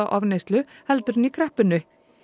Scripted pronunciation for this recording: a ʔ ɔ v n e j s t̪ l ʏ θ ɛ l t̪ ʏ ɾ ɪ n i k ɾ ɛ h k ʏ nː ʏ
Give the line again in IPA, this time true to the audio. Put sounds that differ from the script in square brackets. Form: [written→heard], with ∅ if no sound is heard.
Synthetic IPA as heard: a ʔ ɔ v n e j s t̪ l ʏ [θ→h] ɛ l t̪ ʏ ɾ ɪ n i [k→kʰ] ɾ ɛ h [k→p] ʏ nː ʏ

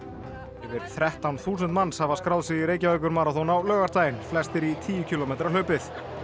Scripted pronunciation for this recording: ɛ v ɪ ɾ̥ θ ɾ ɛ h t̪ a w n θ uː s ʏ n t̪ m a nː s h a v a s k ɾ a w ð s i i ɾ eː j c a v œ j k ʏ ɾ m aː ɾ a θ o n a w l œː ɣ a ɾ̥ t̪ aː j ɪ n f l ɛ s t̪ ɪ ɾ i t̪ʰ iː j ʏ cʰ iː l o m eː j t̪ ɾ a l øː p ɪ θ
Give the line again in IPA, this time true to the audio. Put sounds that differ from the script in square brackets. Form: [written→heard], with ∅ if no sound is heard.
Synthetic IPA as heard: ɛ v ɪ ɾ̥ θ ɾ ɛ h t̪ a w n θ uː s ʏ n t̪ m a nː s h a v a s k ɾ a w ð s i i ɾ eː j c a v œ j k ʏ ɾ m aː ɾ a θ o n a w l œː ɣ a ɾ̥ t̪ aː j ɪ n f l ɛ s t̪ ɪ ɾ i t̪ʰ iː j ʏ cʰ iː l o m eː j t̪ ɾ a l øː p ɪ θ

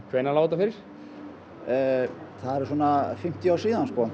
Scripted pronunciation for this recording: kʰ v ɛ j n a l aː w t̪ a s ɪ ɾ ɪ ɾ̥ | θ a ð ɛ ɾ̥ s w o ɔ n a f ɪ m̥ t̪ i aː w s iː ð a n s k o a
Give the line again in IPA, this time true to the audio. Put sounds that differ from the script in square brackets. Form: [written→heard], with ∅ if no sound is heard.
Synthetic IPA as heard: kʰ v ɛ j n a l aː w t̪ a [s→f] ɪ ɾ ɪ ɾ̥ | θ a ð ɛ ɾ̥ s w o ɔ n a f ɪ m̥ t̪ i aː w s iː ð a n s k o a

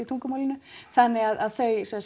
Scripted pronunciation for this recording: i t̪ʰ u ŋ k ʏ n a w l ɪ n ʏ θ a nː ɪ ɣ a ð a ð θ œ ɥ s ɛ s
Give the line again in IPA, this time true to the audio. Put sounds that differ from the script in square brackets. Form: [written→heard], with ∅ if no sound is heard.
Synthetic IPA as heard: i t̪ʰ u ŋ k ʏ [n→m] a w l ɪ n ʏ θ a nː ɪ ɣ a ð a ð θ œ ɥ s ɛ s

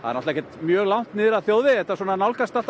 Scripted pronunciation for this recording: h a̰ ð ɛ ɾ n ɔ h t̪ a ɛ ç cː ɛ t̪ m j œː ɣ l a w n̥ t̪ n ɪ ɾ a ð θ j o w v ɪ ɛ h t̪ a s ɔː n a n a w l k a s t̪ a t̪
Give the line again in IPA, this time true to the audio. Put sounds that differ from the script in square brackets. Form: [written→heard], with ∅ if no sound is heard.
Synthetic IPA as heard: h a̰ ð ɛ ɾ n ɔ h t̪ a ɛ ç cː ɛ t̪ m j œː ɣ l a w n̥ t̪ n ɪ ɾ a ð θ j o w [v→ð] ɪ ɛ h t̪ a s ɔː n a n a w l k a s t̪ a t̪

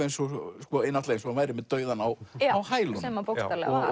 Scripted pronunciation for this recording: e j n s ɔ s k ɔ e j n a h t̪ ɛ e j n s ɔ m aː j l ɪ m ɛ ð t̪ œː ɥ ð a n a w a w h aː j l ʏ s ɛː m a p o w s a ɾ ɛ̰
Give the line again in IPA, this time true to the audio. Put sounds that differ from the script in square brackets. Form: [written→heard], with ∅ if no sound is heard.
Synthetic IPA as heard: e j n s ɔ s k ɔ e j n a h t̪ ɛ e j n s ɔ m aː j [l→ɾ] ɪ m ɛ ð t̪ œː ɥ ð a n a w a w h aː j l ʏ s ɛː m a p o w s a [ɾ→l] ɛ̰

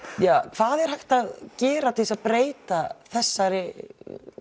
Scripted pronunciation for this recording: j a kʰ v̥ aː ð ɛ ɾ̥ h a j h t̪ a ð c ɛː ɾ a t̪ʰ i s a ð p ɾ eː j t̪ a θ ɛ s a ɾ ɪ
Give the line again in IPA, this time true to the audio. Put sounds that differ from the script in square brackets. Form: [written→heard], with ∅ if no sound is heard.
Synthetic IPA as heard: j a kʰ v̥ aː ð ɛ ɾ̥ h a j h t̪ a ð c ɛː ɾ a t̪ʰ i s a ð p ɾ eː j t̪ a θ ɛ [s→sː] a ɾ ɪ

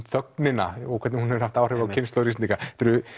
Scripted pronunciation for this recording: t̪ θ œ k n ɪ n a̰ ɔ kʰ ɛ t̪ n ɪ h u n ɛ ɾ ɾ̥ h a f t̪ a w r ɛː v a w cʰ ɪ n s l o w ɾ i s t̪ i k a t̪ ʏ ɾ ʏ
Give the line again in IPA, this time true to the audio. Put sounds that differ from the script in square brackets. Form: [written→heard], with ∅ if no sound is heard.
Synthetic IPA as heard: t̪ θ œ k n ɪ n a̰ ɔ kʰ ɛ t̪ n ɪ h u n ɛ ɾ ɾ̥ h a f t̪ a w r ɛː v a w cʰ ɪ n s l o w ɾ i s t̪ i k a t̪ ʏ ɾ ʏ

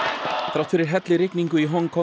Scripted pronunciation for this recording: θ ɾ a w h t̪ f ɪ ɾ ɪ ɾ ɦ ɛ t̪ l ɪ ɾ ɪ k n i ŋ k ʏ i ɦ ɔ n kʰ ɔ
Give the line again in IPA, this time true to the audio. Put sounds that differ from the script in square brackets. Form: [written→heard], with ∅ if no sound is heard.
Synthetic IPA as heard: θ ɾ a w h t̪ f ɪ ɾ ɪ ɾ ɦ ɛ t̪ l ɪ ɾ ɪ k n i ŋ k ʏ i ɦ ɔ [n→ŋ] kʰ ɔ

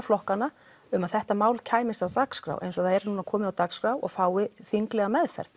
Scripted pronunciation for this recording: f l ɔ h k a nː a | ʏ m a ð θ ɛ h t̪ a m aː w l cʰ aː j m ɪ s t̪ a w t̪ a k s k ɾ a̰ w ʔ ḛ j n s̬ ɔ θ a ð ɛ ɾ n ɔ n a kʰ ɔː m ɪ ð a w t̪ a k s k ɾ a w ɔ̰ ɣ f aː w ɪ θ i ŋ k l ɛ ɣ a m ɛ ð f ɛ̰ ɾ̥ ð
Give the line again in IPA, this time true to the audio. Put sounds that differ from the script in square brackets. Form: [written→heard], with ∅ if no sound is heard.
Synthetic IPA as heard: f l ɔ h k a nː a | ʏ m a ð θ ɛ h t̪ a m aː w l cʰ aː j m ɪ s t̪ a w t̪ a k s k ɾ a̰ w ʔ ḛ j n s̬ ɔ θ a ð ɛ ɾ n [ɔ→u] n a kʰ ɔː m ɪ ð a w t̪ a k s k ɾ a w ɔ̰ ɣ f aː w ɪ θ i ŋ k l ɛ ɣ a m ɛ ð f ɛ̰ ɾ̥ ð

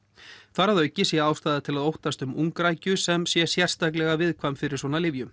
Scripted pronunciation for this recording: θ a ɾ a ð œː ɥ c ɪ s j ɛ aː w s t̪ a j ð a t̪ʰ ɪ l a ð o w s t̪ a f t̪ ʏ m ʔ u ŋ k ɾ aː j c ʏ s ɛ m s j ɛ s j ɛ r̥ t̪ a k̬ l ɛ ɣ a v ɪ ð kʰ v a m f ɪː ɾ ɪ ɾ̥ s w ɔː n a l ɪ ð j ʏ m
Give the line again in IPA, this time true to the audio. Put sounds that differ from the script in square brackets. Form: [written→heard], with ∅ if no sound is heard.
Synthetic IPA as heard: θ a ɾ a ð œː ɥ c ɪ s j ɛ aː w s t̪ a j ð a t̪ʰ ɪ l a ð o w [s→h] t̪ a [f→s] t̪ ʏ m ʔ u ŋ k ɾ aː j c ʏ s ɛ m s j ɛ s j ɛ r̥ t̪ a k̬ l ɛ ɣ a v ɪ ð kʰ v a m f [ɪː→ɪ] ɾ ɪ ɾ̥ s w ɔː n a l ɪ [ð→v] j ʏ m

